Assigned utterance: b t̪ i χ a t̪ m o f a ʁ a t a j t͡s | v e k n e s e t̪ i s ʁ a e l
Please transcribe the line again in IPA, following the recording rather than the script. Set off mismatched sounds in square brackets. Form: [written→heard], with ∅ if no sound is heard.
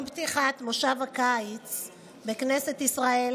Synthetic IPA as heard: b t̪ i χ a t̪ m o [f→ʃ] a [ʁ→v] a [t→k] a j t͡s | [v→b] e k n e s e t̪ i s ʁ a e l